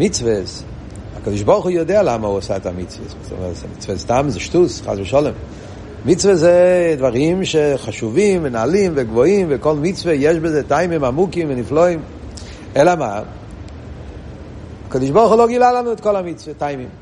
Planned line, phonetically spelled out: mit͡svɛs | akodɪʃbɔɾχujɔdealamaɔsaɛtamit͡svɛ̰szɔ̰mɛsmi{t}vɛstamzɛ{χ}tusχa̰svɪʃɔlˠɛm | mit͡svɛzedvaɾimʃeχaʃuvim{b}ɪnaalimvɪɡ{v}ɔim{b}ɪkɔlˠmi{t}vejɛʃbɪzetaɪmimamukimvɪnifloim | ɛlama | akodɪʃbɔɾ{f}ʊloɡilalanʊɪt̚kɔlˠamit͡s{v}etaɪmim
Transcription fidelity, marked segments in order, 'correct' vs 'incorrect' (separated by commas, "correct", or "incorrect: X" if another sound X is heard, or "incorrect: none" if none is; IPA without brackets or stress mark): incorrect: t͡s, incorrect: ʃ, incorrect: v, correct, incorrect: v, incorrect: t͡s, incorrect: χ, correct